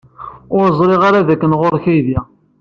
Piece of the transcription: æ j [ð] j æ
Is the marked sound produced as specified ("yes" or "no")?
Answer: yes